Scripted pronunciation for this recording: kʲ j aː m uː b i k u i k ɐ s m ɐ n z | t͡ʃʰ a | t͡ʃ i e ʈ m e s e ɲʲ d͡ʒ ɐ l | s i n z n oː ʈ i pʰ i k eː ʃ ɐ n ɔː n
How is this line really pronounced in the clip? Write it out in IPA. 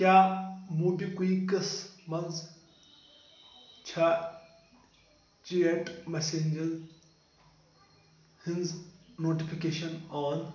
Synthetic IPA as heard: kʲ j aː m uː b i k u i k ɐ s m ɐ n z | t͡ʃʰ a | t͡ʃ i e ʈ m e s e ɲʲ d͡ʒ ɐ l | h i n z n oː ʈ i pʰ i k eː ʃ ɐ n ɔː n